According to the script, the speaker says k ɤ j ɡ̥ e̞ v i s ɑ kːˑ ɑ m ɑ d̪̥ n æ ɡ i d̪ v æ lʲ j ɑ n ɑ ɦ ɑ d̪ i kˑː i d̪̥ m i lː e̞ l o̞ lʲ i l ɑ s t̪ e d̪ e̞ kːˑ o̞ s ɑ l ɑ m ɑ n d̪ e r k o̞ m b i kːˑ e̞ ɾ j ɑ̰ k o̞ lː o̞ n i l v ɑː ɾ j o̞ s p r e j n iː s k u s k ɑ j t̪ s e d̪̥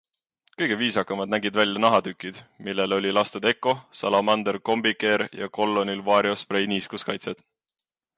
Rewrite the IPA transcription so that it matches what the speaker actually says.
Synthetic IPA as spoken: k ɤ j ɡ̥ e̞ v iː s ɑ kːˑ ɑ m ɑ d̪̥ n æ ɡ i d̪ v æ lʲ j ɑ n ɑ ɦ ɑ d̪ y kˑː i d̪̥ m i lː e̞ l o̞ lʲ i l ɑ s t̪ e d̪ e̞ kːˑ o̞ s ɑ l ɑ m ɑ n d̪ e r k o̞ m b i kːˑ e̞ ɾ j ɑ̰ k o̞ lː o̞ n i l v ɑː ɾ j o̞ s p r e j n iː s k u s k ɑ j t̪ s e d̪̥